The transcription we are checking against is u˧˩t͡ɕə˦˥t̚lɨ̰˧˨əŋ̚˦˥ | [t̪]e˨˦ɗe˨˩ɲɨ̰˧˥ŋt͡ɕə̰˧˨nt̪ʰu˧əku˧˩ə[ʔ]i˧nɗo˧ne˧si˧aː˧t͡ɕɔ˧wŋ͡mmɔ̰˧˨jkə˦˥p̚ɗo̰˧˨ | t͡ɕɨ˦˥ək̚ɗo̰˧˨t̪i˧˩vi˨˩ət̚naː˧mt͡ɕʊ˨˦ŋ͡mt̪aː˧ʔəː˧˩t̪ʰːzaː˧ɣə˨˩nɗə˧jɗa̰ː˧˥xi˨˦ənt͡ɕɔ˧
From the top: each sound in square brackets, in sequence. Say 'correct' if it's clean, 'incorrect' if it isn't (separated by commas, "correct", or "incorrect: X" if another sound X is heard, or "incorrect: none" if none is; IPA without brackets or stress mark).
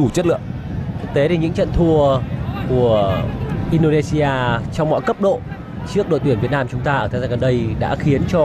correct, correct